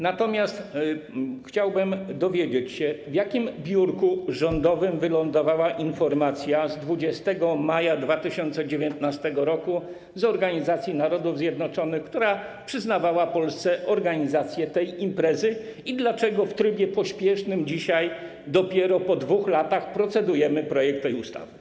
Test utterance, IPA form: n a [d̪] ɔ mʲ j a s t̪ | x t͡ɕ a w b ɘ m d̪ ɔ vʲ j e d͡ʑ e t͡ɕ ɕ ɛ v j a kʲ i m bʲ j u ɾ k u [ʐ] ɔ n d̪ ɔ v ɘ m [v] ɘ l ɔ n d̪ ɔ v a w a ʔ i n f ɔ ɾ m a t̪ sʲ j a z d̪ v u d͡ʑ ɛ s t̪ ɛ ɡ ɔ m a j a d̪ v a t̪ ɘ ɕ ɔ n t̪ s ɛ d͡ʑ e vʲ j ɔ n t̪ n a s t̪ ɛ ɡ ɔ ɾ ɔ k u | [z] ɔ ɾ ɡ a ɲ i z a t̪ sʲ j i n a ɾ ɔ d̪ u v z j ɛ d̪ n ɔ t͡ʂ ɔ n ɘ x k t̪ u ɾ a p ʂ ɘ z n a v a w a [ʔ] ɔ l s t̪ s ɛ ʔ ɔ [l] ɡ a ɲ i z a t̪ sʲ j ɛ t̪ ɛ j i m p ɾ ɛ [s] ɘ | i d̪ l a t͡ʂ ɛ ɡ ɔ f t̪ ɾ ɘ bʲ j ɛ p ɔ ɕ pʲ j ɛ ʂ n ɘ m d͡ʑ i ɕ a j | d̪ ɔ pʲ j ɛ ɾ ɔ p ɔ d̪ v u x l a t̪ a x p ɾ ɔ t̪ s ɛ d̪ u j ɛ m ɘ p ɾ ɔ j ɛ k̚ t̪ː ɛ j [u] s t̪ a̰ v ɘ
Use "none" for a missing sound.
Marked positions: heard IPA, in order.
t̪, ʐ, v, z, p, ɾ, z, u

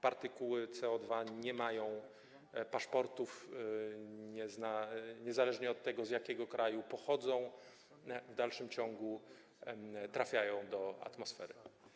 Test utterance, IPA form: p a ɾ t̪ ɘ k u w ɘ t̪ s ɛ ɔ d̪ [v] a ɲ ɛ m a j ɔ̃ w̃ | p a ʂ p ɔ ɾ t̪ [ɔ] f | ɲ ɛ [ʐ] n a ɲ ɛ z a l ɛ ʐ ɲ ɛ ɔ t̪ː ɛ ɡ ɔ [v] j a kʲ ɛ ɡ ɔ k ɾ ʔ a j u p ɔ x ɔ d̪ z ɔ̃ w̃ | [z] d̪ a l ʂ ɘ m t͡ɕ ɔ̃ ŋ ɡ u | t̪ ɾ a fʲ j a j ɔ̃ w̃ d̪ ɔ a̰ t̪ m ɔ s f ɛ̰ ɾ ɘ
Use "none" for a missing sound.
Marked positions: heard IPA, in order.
v, u, z, z, v

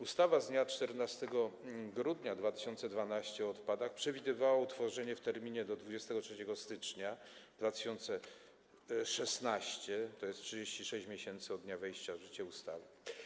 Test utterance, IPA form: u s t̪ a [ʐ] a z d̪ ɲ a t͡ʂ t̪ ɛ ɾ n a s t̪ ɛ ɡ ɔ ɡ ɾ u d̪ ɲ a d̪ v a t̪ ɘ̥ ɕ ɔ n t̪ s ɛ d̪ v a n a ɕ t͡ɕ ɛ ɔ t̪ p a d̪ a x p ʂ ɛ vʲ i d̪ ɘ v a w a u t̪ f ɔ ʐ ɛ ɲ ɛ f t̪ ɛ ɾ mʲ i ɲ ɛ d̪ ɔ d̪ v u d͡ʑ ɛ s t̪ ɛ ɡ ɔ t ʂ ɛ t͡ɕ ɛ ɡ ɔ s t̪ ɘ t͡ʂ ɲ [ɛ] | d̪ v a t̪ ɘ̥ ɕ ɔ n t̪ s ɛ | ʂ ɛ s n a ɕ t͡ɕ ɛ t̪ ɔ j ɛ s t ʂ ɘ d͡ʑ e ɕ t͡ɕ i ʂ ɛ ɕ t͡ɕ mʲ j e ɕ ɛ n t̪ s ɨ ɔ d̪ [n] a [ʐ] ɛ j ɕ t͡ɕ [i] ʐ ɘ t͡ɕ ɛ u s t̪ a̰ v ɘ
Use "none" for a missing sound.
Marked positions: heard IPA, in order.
v, a, ɲ, v, a

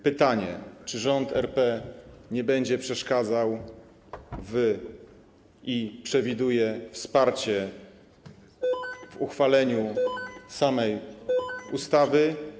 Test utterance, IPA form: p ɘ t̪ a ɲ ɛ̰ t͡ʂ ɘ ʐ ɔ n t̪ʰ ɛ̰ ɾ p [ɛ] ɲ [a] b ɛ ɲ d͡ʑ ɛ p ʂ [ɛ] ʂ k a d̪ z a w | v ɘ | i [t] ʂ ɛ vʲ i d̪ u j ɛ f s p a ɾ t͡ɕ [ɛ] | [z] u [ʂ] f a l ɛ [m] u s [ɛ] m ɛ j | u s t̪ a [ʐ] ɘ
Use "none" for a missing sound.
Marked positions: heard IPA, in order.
ɛ, ɛ, ɛ, p, ɛ, v, x, ɲ, a, v

